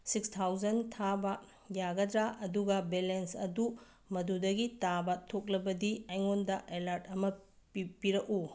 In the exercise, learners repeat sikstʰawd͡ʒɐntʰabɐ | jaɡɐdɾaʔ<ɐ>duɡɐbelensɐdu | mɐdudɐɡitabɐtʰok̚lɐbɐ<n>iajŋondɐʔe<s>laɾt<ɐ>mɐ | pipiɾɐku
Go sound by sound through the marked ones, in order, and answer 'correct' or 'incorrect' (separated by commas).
correct, incorrect, incorrect, correct